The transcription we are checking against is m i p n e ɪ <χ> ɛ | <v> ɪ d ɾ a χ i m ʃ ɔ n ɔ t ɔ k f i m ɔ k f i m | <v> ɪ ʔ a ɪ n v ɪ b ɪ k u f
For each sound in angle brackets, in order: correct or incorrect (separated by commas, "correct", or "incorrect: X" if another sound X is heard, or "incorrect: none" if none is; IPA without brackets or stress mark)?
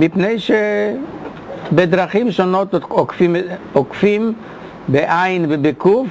incorrect: ʃ, incorrect: b, incorrect: b